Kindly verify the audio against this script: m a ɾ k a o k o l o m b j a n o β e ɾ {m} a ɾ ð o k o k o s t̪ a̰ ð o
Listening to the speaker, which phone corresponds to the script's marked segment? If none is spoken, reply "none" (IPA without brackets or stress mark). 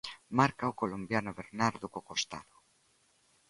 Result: n